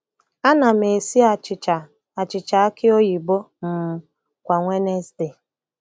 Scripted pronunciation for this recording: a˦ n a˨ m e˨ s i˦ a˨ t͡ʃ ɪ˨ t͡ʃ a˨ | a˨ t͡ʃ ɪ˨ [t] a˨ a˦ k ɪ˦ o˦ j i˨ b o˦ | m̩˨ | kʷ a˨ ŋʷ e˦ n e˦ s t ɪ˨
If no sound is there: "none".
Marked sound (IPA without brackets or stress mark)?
t͡ʃ